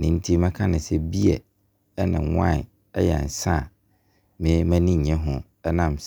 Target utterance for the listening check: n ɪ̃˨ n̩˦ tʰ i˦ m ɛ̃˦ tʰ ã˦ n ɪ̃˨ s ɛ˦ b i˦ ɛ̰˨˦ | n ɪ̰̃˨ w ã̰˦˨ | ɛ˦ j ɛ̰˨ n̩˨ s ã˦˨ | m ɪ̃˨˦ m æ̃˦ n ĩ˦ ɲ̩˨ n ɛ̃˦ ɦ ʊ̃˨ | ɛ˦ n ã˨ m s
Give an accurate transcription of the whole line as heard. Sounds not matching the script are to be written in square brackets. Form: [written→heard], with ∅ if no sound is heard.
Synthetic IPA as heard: n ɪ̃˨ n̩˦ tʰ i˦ m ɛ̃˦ [tʰ→kʰ] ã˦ n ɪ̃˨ s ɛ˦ b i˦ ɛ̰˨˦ | n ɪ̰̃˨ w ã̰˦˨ | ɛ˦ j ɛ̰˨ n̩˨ s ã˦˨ | m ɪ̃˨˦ m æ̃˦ n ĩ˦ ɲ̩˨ [n→ɲ] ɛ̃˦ ɦ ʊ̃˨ | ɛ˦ n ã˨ m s